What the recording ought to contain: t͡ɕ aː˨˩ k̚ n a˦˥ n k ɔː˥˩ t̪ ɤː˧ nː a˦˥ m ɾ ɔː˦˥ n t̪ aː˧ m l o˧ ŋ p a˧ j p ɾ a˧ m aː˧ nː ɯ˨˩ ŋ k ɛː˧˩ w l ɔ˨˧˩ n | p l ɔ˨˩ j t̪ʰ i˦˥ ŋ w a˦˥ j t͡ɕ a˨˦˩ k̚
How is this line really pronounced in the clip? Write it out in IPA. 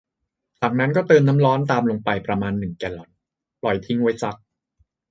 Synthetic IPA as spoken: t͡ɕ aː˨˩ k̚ n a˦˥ n k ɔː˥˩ t̪ ɤː˧ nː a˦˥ m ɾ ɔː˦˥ n t̪ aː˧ m l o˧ ŋ p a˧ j p ɾ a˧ m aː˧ nː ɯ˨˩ ŋ k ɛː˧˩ l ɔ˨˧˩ n | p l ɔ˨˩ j t̪ʰ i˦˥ ŋ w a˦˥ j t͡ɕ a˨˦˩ k̚